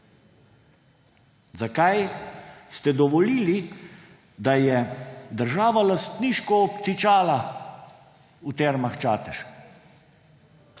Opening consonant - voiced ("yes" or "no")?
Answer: yes